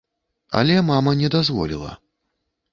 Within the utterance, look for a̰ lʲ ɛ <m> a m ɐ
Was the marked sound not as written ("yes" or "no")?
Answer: no